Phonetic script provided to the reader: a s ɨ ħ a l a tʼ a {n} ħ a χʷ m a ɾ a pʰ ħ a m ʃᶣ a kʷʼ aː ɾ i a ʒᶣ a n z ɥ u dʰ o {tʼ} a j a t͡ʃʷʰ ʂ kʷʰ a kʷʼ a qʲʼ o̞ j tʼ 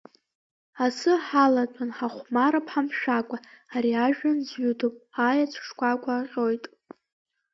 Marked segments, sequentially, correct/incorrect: correct, incorrect

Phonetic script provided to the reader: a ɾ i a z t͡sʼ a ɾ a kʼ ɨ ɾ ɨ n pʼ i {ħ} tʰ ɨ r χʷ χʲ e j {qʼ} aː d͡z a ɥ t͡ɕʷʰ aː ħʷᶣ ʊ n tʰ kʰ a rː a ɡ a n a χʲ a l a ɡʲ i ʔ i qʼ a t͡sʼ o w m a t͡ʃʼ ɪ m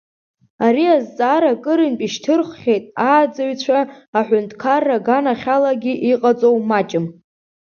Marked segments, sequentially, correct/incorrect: incorrect, incorrect

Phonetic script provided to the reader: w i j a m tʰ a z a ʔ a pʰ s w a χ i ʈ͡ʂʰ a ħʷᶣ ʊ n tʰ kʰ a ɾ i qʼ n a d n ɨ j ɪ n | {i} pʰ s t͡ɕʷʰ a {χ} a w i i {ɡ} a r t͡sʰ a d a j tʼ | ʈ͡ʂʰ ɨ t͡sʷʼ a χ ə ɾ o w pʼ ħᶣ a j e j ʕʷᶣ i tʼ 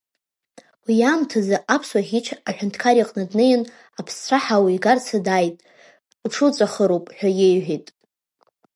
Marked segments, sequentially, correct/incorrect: incorrect, incorrect, correct

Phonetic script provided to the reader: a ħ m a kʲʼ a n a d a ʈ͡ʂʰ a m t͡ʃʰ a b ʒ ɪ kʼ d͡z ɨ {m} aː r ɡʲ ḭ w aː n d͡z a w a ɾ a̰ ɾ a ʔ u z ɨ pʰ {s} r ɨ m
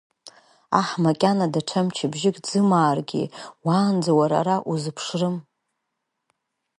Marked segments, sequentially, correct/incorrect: correct, incorrect

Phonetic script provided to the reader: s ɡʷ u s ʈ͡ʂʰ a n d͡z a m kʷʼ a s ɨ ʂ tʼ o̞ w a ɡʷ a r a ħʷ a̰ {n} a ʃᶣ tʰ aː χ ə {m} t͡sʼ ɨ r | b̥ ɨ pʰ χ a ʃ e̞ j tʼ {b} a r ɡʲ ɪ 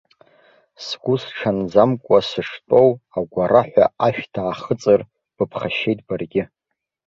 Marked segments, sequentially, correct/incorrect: incorrect, incorrect, correct

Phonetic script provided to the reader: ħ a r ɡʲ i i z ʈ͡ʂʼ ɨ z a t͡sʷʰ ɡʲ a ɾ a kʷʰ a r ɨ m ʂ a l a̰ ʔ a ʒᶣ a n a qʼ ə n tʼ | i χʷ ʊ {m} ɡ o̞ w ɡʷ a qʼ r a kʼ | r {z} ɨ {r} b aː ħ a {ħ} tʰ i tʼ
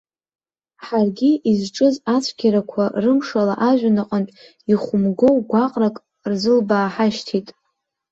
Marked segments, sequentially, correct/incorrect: correct, correct, incorrect, incorrect

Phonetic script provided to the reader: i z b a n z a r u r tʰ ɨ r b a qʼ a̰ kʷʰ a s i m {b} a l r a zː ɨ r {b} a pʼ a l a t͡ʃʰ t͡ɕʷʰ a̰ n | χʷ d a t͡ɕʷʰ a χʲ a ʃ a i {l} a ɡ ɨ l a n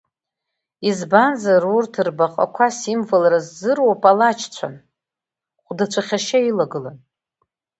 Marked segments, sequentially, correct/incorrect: incorrect, incorrect, correct

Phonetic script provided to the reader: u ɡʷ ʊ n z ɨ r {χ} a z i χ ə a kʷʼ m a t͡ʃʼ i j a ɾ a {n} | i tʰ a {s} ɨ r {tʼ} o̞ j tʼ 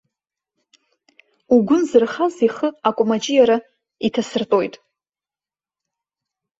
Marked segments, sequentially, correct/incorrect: correct, incorrect, correct, correct

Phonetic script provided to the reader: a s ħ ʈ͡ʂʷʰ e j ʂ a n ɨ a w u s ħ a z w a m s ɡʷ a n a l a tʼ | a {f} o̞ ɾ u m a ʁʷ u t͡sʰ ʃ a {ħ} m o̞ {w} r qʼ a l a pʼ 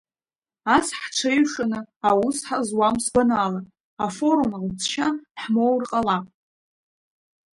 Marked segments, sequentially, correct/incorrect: correct, correct, correct

